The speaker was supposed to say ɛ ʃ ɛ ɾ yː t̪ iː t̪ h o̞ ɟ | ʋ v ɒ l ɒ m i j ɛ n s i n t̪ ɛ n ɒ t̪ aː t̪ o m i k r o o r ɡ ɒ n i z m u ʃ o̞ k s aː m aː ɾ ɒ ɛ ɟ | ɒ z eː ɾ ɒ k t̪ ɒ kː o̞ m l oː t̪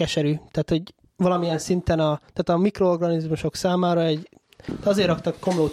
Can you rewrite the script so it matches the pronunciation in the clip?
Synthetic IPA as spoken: ɛ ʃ ɛ ɾ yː t̪ aː t̪ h o̞ ɟ | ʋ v ɒ l ɒ m i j ɛ n s i n t̪ ɛ n ɒ t̪ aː t̪ ɒ m i k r o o r ɡ ɒ n i z m u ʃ o̞ k s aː m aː ɾ ɒ ɛ ɟ | ɒ z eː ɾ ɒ k t̪ ɒ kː o̞ m l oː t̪